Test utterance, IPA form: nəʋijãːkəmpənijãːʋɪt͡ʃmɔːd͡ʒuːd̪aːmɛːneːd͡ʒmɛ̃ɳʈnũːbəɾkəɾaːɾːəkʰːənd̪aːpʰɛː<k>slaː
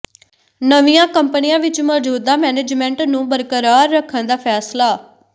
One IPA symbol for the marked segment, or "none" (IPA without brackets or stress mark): none